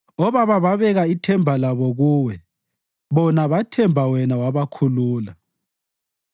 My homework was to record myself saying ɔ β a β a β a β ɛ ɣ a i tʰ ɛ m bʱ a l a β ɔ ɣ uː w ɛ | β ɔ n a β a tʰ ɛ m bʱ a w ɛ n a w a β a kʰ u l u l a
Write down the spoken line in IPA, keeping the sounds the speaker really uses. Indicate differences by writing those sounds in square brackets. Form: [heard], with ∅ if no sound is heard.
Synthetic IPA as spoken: ɔ β a β a β a β ɛ ɣ a i tʰ ɛ m bʱ a l a β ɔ ɣ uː w ɛ | β ɔ n a β a tʰ ɛ m bʱ a w ɛ n a w a β a kʰ u l [uː] l a